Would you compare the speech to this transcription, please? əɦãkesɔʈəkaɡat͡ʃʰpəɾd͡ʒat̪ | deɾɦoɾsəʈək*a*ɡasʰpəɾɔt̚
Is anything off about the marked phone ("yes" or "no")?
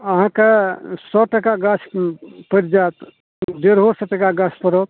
no